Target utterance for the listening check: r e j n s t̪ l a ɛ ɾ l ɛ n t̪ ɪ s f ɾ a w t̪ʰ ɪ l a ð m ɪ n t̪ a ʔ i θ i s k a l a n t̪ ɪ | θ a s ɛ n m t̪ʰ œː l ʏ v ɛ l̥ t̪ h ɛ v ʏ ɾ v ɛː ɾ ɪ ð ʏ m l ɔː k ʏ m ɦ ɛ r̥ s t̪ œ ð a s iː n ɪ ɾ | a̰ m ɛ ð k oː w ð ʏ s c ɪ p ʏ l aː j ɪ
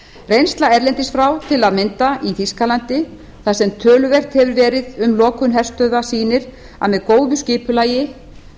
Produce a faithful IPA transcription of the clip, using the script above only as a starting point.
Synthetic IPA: r e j n s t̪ l a ɛ ɾ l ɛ n t̪ ɪ s f ɾ a w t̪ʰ ɪ l a ð m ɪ n t̪ a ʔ i θ i s k a l a n t̪ ɪ | θ a s ɛ m t̪ʰ œː l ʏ v ɛ r̥ t̪ h ɛ v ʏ ɾ v ɛː ɾ ɪ ð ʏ m l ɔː k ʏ n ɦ ɛ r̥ s t̪ œ ð a s iː n ɪ ɾ | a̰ m ɛ ð k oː w ð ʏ s c ɪː p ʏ l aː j ɪ